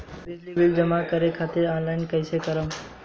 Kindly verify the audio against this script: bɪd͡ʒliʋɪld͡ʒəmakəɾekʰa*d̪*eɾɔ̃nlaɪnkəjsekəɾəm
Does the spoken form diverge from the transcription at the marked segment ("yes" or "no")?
yes